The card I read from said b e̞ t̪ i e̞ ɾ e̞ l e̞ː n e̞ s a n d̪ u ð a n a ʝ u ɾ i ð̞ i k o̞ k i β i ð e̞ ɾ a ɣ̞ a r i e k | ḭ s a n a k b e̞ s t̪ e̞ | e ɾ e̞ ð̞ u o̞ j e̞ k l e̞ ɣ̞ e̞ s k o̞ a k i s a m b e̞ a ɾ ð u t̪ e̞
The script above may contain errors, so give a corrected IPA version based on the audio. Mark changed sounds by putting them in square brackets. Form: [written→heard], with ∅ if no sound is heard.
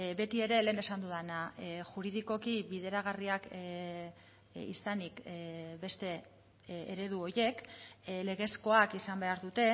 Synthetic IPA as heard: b e̞ t̪ i e̞ ɾ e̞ l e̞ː n e̞ s a n d̪ u ð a n a ʝ u ɾ i ð̞ i k o̞ k i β i ð e̞ ɾ a ɣ̞ a r i [e→a] k | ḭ s a n [a→i] k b e̞ s t̪ e̞ | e ɾ e̞ ð̞ u o̞ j e̞ k l e̞ ɣ̞ e̞ s k o̞ a k i s a m b e̞ a ɾ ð u t̪ e̞

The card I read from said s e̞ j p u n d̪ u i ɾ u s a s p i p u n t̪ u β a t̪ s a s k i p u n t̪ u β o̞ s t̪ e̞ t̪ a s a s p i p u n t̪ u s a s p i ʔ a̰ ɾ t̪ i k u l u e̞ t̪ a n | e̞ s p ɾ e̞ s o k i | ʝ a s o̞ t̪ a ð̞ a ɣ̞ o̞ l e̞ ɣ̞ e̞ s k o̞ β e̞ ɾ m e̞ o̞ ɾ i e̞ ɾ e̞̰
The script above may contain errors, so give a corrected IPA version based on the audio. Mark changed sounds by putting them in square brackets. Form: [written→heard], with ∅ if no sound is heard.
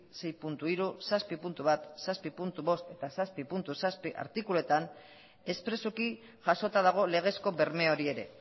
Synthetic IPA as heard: s e̞ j p u n [d̪→t̪] u i ɾ u s a s p i p u n t̪ u β a t̪ s a s [k→p] i p u n t̪ u β o̞ s t̪ e̞ t̪ a s a s p i p u n t̪ u s a s p i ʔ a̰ ɾ t̪ i k u l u e̞ t̪ a n | e̞ s p ɾ e̞ s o k i | ʝ a s o̞ t̪ a ð̞ a ɣ̞ o̞ l e̞ ɣ̞ e̞ s k o̞ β e̞ ɾ m e̞ o̞ ɾ i e̞ ɾ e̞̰

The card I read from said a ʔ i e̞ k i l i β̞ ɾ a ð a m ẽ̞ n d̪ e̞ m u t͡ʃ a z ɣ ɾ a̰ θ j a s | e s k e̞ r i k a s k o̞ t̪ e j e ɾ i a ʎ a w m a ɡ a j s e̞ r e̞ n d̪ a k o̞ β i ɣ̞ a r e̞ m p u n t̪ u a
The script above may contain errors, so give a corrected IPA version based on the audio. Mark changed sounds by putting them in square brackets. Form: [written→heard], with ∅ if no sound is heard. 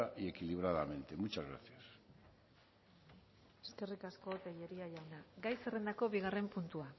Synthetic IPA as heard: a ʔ i e̞ k i l i β̞ ɾ a ð a m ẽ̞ n [d̪→t̪] e̞ m u t͡ʃ a z ɣ ɾ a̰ θ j a s | e s k e̞ r i k a s k o̞ t̪ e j e ɾ i a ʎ a w [m→n] a ɡ a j s e̞ r e̞ n d̪ a k o̞ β i ɣ̞ a r e̞ m p u n t̪ u a

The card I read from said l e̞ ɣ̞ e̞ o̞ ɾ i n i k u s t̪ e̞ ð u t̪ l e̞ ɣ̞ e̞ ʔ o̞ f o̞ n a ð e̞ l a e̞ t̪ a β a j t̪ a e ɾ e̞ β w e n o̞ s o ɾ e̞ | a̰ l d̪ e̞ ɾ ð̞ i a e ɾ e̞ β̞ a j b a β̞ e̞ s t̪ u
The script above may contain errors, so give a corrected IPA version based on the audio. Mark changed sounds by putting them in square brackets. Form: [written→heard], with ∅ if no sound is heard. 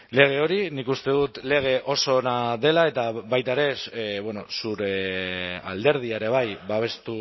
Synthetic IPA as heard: l e̞ ɣ̞ e̞ o̞ ɾ i n i k u s t̪ e̞ ð u t̪ l e̞ ɣ̞ e̞ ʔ o̞ [f→s] o̞ n a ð e̞ l a e̞ t̪ a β a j t̪ a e ɾ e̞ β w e n o̞ s [o→u] ɾ e̞ | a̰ l d̪ e̞ ɾ ð̞ i a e ɾ e̞ β̞ a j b a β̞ e̞ s t̪ u

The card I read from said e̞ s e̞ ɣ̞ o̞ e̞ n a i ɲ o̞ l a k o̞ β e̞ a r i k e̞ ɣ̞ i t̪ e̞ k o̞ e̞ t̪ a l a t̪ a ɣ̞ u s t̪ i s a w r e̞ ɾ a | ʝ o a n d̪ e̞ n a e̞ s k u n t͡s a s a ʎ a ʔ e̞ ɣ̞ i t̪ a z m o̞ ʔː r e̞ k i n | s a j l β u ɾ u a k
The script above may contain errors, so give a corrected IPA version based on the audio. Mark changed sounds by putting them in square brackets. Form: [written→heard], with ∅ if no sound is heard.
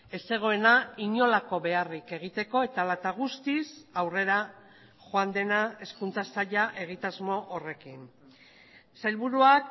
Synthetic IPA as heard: e̞ s e̞ ɣ̞ o̞ e̞ n a i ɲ o̞ l a k o̞ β e̞ a r i k e̞ ɣ̞ i t̪ e̞ k o̞ e̞ t̪ a l a t̪ a ɣ̞ u s t̪ i s a w r e̞ ɾ a | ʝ o a n d̪ e̞ n a e̞ s k u n t͡s a s a ʎ a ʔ e̞ ɣ̞ i t̪ a z m o̞ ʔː r e̞ k i n | s a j l β u ɾ u a k

